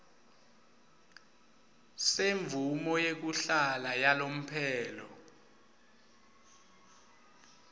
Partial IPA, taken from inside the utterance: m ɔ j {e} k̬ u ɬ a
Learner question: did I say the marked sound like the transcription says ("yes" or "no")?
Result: yes